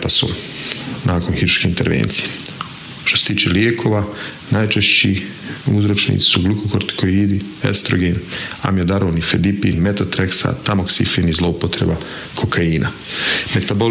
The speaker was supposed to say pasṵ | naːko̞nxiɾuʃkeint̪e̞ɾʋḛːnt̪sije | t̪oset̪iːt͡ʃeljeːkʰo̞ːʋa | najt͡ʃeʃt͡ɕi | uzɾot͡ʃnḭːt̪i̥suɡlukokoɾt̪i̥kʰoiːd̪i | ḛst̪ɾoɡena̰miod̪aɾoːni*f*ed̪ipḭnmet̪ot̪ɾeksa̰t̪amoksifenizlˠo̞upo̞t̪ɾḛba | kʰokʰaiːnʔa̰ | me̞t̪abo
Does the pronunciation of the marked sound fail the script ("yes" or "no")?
no